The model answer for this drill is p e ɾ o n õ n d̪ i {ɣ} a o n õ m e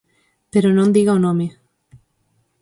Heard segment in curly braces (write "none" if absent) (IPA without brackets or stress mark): ɣ